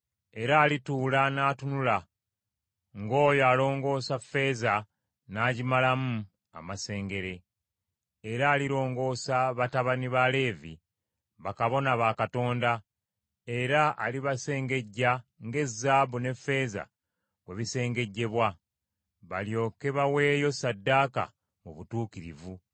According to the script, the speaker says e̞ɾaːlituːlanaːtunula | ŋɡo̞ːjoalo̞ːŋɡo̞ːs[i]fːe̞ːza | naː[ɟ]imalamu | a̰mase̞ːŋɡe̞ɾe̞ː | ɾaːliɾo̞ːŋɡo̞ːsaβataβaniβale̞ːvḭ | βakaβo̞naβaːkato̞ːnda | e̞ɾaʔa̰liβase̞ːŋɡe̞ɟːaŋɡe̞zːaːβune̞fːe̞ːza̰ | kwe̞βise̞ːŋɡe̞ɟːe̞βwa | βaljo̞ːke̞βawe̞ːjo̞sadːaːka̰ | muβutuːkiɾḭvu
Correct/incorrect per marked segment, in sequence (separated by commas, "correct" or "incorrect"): incorrect, correct